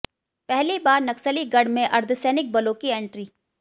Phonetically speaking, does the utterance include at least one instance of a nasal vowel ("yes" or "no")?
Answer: yes